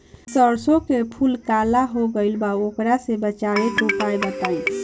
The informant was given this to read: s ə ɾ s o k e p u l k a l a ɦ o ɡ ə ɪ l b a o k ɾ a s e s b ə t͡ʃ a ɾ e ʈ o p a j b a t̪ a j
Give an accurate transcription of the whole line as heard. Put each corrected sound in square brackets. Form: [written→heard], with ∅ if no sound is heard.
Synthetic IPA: s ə ɾ s o k e [p→pʰ] u l k a l a ɦ o ɡ ə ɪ l b a o k ɾ a s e [s→∅] b ə t͡ʃ a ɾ e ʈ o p a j b [a→ə] t̪ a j